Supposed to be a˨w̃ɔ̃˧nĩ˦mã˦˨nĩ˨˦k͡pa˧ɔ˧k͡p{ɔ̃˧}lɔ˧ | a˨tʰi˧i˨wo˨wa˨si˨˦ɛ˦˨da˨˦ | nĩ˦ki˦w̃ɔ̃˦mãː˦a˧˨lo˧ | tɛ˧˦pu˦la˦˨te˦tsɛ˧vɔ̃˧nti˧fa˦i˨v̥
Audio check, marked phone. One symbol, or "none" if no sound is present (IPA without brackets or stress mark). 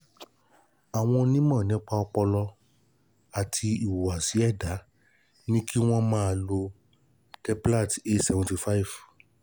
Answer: ɔ˧